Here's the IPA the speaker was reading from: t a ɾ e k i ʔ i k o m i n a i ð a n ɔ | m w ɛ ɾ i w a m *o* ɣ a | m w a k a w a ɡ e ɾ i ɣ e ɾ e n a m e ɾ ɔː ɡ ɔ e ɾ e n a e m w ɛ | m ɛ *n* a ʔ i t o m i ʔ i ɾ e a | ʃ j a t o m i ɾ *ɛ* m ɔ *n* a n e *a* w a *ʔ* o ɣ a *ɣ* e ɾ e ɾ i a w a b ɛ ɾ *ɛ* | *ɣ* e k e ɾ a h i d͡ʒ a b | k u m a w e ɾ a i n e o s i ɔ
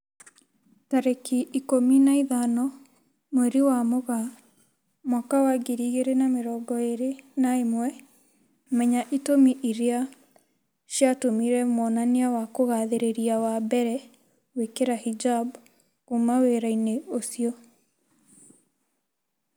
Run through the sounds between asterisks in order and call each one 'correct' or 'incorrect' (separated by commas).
correct, incorrect, correct, correct, correct, incorrect, incorrect, correct, incorrect